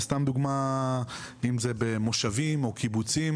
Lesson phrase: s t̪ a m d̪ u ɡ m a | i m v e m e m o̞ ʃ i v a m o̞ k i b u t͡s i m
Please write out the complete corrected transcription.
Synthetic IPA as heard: s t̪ a m d̪ u ɡ m a | i m z e b e m o̞ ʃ a v i m o̞ k i b u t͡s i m